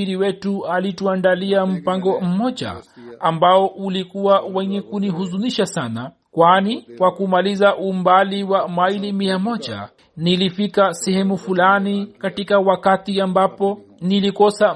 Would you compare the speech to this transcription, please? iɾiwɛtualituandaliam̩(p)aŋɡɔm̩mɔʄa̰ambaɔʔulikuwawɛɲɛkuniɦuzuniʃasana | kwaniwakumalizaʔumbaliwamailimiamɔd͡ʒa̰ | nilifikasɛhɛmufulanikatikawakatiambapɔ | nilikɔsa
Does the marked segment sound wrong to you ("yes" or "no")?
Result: no